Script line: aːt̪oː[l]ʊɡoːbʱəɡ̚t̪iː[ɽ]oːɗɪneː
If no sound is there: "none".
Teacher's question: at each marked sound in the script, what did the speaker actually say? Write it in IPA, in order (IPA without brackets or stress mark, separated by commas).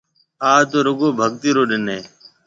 ɾ, ɾ